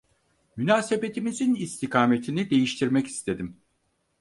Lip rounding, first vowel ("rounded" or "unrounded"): rounded